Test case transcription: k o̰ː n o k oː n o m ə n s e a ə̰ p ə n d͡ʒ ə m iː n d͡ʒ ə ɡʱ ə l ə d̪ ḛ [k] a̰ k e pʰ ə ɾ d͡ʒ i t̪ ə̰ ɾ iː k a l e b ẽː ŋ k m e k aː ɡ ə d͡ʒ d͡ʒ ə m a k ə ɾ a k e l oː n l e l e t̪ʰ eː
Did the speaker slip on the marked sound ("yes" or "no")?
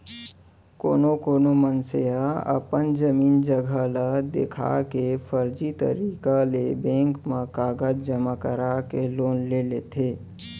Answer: yes